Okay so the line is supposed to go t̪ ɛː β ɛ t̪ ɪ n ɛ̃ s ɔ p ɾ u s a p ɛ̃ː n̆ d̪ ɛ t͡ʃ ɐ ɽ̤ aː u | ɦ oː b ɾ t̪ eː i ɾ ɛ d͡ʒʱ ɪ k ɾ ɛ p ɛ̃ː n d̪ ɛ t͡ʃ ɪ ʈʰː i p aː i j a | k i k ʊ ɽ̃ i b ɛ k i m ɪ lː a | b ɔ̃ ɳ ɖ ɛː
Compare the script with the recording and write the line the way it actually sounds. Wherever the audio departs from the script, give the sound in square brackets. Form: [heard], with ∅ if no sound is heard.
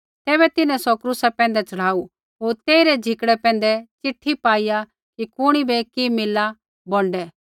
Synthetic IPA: t̪ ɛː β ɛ t̪ ɪ n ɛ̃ s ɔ [k] ɾ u s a p ɛ̃ː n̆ d̪ ɛ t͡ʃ ɐ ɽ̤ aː u | ɦ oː [∅] ɾ t̪ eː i ɾ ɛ d͡ʒʱ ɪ k [ɽ] ɛ p ɛ̃ː n d̪ ɛ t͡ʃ ɪ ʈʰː i p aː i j a | k i k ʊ ɽ̃ i b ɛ k i m ɪ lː a | b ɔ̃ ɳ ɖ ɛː